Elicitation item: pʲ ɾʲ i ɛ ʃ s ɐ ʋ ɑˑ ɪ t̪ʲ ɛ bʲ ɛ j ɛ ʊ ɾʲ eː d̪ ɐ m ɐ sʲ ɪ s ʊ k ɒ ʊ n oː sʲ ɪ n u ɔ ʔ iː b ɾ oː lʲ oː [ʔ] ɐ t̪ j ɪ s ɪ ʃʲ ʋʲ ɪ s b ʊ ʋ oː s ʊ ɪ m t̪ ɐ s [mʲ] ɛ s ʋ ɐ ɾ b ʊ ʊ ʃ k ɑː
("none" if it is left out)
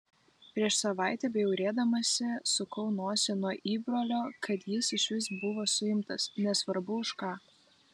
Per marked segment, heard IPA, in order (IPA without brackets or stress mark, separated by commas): k, nʲ